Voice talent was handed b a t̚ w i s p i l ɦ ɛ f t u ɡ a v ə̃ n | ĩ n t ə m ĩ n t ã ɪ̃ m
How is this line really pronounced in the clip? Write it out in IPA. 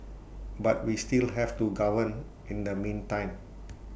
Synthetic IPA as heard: b a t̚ w i s t i l ɦ ɛ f t u ɡ a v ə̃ n | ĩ n d ə m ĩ n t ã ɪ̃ m